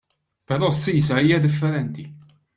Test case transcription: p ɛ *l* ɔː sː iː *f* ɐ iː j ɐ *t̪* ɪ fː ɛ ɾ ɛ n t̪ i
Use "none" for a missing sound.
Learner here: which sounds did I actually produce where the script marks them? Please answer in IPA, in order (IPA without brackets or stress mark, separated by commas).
ɾ, s, d̪